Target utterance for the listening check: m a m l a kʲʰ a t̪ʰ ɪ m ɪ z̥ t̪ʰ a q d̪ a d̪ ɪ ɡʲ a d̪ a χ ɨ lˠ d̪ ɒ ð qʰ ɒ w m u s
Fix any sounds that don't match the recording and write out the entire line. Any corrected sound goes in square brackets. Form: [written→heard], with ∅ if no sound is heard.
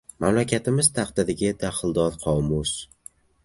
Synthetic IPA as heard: m a m l a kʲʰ a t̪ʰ ɪ m ɪ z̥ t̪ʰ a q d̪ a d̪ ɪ ɡʲ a d̪ a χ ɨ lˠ d̪ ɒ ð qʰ ɒ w m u s